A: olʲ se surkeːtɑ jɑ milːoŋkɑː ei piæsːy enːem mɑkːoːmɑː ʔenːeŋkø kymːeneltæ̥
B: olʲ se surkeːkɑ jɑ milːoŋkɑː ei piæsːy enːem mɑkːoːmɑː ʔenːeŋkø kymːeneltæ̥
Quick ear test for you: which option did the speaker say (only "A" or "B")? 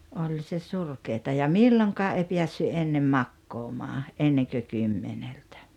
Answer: A